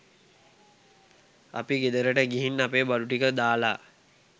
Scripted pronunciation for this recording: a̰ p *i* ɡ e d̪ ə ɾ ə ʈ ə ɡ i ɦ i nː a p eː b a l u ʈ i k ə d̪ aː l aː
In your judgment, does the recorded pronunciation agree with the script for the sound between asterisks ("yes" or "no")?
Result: yes